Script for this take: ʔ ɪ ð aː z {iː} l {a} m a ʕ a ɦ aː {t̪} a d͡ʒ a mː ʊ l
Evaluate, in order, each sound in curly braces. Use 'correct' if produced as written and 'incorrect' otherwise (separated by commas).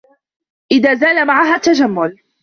incorrect, correct, correct